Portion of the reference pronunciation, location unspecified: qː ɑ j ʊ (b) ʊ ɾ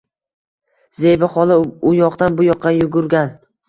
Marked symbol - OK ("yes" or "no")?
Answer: no